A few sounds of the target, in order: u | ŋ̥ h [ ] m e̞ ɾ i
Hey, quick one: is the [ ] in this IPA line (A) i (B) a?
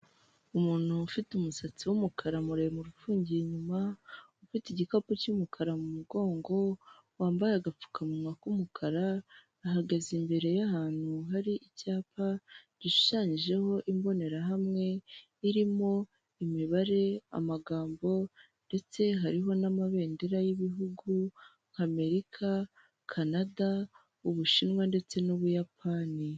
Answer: B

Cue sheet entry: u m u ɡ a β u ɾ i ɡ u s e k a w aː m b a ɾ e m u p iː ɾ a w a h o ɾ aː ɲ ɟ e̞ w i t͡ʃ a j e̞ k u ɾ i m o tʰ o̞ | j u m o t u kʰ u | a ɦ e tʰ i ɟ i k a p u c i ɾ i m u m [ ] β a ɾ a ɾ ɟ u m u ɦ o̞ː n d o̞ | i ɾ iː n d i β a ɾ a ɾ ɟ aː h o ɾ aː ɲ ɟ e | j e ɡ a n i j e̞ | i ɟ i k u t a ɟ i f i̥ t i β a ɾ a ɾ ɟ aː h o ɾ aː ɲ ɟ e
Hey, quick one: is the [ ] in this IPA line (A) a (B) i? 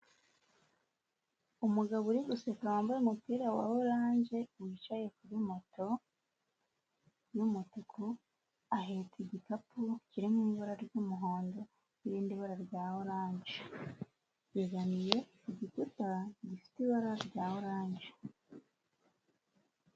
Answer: B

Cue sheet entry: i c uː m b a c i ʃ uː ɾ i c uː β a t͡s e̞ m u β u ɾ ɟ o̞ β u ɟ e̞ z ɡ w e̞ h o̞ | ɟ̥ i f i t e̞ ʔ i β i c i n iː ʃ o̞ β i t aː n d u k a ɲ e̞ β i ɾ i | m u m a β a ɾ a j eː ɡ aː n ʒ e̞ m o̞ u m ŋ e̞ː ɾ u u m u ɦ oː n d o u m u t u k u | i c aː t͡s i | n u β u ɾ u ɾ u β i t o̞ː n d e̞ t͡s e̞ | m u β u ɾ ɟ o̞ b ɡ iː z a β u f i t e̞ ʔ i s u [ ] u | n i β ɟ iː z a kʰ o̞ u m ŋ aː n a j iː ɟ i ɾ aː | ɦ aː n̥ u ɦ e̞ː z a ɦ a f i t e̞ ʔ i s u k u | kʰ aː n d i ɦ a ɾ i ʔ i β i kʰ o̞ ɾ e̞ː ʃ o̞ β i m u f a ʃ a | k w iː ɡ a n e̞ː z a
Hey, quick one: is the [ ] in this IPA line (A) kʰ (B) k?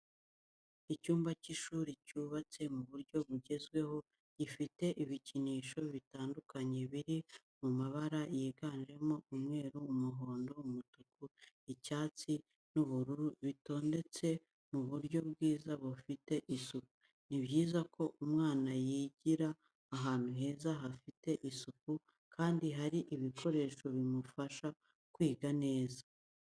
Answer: B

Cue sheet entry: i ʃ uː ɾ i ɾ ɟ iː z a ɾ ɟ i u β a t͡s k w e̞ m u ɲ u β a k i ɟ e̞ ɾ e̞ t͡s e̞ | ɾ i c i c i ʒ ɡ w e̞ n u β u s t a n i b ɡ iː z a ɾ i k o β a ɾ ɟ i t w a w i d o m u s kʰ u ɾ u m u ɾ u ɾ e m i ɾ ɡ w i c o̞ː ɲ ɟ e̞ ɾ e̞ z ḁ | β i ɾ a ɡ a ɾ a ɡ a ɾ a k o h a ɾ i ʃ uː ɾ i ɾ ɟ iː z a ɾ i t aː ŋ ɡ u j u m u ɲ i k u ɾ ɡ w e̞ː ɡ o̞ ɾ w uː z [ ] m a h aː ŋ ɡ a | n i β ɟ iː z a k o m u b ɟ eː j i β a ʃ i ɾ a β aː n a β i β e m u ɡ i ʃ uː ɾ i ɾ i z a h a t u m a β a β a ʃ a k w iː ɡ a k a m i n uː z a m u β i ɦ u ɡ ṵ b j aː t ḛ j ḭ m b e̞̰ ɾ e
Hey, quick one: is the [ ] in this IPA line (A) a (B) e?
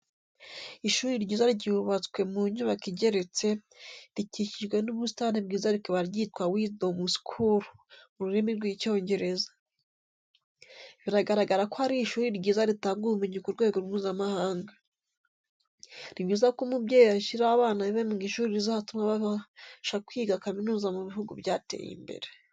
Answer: A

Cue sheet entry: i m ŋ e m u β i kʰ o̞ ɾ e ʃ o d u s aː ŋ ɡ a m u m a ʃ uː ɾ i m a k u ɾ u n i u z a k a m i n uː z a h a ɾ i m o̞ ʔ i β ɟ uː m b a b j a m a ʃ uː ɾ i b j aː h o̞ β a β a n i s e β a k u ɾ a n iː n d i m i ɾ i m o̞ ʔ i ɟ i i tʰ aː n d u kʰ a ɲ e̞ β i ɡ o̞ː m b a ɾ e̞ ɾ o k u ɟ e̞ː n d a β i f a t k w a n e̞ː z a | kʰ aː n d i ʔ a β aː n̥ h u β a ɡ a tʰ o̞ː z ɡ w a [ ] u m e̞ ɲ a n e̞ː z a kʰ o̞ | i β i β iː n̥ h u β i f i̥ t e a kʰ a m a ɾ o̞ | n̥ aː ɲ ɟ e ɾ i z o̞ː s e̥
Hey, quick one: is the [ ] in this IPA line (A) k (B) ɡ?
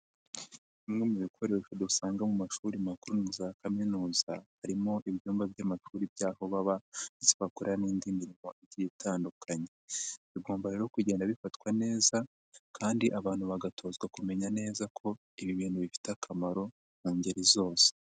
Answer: A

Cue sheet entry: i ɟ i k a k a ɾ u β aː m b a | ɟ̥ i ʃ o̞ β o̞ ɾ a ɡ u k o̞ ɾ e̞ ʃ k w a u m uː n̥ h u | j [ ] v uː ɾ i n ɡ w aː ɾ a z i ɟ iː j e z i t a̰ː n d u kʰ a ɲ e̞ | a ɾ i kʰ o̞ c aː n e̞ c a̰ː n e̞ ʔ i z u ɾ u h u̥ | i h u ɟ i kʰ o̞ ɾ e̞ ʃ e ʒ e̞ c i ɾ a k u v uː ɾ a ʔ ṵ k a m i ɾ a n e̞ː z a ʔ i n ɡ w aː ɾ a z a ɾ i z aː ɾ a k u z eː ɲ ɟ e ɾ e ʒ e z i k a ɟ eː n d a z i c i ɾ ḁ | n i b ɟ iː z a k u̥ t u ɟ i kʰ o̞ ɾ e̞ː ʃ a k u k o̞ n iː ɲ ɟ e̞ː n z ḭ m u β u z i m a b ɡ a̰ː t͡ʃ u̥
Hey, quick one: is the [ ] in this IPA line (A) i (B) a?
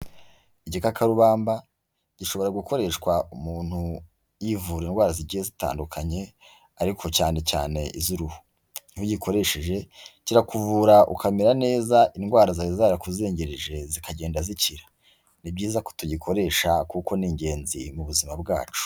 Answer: A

